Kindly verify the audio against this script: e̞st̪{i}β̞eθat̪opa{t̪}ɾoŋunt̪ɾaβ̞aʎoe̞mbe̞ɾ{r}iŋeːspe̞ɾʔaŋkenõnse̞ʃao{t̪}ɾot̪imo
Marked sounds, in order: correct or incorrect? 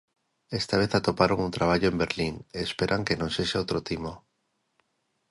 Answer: incorrect, incorrect, incorrect, correct

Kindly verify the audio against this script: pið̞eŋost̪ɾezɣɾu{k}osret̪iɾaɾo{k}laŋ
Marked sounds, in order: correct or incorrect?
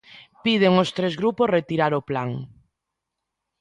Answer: incorrect, incorrect

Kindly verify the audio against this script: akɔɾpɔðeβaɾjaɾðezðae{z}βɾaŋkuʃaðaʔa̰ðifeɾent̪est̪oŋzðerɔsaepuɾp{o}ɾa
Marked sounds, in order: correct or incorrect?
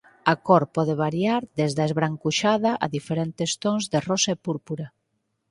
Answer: correct, incorrect

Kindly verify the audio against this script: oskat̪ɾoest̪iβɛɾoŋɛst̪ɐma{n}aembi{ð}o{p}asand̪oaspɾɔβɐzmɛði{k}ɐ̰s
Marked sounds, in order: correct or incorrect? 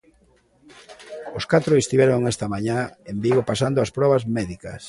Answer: incorrect, incorrect, correct, correct

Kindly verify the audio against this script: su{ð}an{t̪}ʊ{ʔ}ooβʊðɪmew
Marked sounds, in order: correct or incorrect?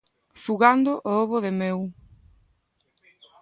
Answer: incorrect, incorrect, correct

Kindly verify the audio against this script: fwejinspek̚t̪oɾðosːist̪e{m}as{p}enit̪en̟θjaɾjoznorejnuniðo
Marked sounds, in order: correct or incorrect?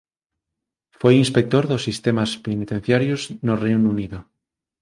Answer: correct, correct

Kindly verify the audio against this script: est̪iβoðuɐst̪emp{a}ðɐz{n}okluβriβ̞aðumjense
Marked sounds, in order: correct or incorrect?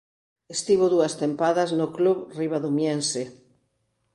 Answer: correct, correct

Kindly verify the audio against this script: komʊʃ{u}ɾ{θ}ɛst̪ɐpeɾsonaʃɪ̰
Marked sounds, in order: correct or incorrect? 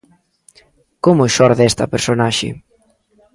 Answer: incorrect, incorrect

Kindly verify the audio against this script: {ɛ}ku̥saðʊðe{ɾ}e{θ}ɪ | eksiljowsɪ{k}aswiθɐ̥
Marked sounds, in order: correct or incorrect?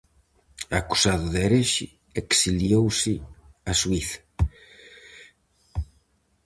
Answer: incorrect, correct, incorrect, incorrect

